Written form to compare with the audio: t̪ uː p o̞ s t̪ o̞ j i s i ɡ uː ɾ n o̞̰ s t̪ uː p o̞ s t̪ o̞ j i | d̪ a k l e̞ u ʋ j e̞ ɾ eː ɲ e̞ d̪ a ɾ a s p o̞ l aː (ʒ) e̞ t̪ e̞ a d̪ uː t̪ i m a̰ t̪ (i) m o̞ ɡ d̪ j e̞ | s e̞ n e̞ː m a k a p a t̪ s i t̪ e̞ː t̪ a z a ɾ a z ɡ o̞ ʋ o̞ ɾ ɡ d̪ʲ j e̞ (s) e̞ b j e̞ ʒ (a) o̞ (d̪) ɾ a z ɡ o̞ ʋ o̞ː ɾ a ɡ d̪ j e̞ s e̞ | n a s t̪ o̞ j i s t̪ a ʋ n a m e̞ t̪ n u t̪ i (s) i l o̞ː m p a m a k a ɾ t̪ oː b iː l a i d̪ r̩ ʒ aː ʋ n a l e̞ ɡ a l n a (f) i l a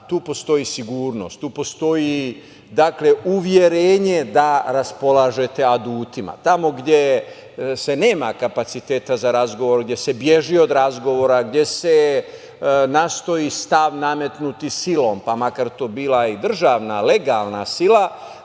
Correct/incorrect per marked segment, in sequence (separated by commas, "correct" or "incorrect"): correct, incorrect, correct, incorrect, correct, correct, incorrect